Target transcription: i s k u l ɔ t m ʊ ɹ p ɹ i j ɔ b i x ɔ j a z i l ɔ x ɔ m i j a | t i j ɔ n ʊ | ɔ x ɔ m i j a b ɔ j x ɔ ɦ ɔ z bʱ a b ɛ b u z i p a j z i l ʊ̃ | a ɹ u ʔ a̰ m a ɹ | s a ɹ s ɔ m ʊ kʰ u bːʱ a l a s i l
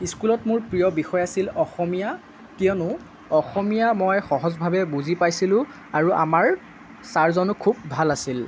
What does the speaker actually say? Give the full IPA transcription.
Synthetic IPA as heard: i s k u l ɔ t m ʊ ɹ p ɹ i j ɔ b i x ɔ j a s i l ɔ x ɔ m i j a | k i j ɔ n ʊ | ɔ x ɔ m i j a m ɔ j x ɔ ɦ ɔ z bʱ a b ɛ b u z i p a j s i l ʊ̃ | a ɹ u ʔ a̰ m a ɹ | s a ɹ z ɔ n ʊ kʰ u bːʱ a l a s i l